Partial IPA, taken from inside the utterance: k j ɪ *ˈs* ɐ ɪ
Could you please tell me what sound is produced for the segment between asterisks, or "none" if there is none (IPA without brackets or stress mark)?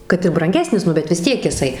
s